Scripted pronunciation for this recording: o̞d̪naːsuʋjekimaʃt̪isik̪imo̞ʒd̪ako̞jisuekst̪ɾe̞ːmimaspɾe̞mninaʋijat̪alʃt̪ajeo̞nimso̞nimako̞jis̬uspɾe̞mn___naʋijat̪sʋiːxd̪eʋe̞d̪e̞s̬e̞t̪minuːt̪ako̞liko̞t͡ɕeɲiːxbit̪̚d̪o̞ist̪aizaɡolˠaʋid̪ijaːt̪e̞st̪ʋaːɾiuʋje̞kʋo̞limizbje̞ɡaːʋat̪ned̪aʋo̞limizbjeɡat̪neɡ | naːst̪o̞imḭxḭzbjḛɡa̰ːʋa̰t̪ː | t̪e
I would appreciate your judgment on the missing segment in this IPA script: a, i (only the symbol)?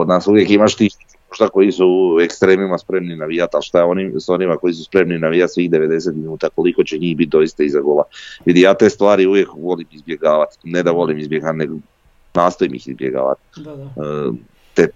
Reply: i